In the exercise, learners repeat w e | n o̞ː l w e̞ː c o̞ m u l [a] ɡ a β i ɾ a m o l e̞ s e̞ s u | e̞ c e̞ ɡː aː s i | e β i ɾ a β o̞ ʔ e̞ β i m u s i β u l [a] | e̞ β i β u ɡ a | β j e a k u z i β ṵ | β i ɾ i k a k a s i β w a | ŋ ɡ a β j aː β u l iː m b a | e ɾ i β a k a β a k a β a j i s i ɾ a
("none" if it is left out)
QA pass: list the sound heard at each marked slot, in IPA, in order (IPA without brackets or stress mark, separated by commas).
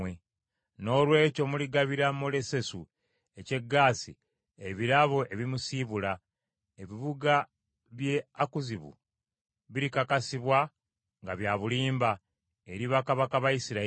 i, a